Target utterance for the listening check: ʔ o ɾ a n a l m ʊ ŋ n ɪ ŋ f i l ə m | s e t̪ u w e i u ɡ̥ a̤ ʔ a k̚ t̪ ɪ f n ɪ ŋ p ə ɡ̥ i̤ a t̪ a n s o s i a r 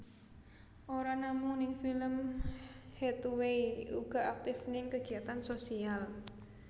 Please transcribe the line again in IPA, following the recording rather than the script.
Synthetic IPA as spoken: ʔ o ɾ a n a m ʊ ŋ n ɪ ŋ f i l ə m | h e t̪ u w e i u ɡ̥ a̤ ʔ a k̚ t̪ ɪ f n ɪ ŋ k ə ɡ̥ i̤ a t̪ a n s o s i a l